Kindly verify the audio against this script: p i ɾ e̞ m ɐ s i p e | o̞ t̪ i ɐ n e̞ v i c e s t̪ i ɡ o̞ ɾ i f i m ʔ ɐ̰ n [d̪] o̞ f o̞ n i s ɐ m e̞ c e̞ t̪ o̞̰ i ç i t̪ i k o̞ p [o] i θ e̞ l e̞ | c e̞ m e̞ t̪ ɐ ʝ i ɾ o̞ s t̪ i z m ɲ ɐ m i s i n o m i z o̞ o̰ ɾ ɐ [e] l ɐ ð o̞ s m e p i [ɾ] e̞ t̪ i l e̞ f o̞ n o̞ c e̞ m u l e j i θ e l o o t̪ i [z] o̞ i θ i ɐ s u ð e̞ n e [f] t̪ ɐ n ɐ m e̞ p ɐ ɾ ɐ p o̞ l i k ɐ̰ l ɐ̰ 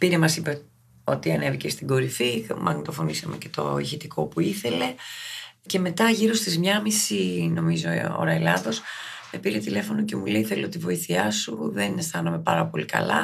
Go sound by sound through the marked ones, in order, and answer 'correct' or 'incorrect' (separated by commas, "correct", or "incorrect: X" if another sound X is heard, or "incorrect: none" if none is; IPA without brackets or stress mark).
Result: incorrect: t̪, incorrect: u, correct, correct, incorrect: v, incorrect: s